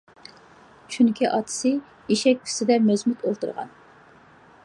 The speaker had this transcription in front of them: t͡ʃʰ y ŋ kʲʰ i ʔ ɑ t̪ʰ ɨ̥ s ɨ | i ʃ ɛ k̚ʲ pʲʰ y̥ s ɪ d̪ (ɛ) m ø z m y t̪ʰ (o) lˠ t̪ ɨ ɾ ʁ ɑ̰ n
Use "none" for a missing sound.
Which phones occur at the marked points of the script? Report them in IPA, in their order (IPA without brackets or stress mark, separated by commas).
ɛ, o